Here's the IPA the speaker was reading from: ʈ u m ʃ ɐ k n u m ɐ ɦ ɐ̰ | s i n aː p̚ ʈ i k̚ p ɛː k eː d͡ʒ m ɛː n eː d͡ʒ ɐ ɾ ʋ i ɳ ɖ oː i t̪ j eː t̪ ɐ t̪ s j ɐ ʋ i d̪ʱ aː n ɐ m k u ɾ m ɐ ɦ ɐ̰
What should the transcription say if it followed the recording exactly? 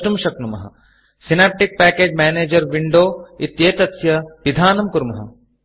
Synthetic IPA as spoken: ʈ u m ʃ ɐ k n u m ɐ ɦ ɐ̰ | s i n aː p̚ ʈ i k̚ p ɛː k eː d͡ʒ m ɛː n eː d͡ʒ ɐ ɾ ʋ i ɳ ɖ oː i t̪ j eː t̪ ɐ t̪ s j ɐ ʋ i d̪ʱ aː n ɐ m k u ɾ m ɐ ɦ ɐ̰

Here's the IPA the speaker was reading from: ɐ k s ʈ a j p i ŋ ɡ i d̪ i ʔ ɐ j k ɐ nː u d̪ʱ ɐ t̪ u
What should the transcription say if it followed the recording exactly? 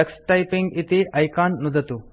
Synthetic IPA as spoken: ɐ k s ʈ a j p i ŋ ɡ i t̪ i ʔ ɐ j k a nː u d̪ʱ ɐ t̪ u

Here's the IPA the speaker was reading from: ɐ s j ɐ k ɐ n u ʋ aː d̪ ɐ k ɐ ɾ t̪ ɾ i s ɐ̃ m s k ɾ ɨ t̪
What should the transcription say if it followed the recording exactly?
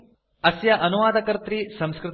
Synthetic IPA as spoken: ɐ s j ɐ ʔ ɐ n u ʋ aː d̪ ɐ k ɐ ɾ t̪ ɾ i s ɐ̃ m s k ɾ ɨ t̪

